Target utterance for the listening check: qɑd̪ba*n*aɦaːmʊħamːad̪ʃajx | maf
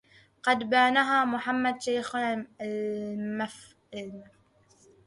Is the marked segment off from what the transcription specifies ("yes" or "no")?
no